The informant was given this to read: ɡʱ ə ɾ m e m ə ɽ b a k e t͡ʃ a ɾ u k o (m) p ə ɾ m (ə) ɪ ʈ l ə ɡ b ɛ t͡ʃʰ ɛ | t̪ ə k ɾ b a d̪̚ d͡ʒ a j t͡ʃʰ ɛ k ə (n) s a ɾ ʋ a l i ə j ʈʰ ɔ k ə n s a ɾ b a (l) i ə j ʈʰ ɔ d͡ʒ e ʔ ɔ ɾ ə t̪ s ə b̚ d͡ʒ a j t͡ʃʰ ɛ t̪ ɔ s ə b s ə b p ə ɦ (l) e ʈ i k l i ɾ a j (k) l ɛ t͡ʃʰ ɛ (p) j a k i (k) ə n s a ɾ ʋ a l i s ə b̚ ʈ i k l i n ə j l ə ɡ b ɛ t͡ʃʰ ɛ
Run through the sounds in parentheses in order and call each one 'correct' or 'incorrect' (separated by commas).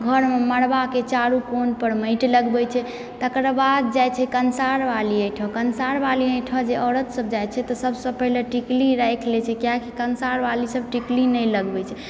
incorrect, correct, correct, correct, correct, incorrect, incorrect, correct